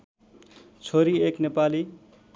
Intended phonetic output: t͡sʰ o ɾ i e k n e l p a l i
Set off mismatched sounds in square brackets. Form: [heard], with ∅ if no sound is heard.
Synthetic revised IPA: t͡sʰ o ɾ i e k n e [∅] p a l i